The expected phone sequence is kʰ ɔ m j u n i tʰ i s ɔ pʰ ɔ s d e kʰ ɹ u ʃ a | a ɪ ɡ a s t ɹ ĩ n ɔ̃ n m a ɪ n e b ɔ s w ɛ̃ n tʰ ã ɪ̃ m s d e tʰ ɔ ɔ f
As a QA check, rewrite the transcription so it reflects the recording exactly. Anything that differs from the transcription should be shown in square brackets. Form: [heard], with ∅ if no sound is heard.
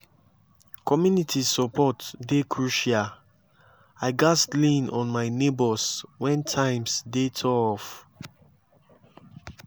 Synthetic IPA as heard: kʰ ɔ m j u n i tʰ i s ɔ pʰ ɔ [t] d e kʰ ɹ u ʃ a | a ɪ ɡ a s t [l] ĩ n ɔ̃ n m a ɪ n e b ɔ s w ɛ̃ n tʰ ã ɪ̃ m s d e tʰ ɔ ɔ f

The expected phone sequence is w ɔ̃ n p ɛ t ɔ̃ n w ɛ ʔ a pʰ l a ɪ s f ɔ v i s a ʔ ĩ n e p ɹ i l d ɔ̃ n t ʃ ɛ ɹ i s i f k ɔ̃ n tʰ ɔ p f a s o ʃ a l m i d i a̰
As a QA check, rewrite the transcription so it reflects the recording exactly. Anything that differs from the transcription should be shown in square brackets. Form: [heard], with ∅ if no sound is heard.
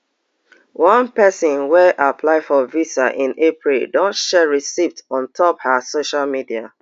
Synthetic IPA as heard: w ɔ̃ n p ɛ [s] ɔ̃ n w ɛ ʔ a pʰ l a ɪ [∅] f ɔ v i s a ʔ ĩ n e p ɹ i l d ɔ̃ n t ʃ ɛ ɹ i s i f [t] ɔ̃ n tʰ ɔ p [h] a s o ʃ a l m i d i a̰

